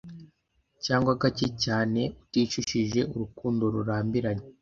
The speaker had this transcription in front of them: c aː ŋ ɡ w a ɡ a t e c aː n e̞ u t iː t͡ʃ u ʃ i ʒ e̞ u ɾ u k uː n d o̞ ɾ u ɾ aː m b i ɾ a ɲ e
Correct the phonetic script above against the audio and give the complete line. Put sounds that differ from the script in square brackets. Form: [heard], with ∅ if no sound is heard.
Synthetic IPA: c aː ŋ ɡ w a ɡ a [c] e c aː n e̞ u t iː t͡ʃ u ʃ i ʒ e̞ u ɾ u k uː n d o̞ ɾ u ɾ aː m b i ɾ a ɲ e